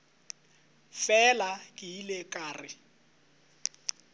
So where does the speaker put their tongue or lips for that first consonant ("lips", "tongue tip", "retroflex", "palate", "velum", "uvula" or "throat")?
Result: lips